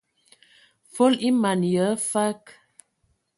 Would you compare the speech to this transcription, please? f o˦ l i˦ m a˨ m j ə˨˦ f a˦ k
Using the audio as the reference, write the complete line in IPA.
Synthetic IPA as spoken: f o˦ l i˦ m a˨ n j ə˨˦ f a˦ k